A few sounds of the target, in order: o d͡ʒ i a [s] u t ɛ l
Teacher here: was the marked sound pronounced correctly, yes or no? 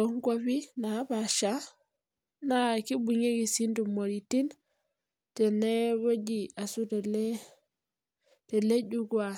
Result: yes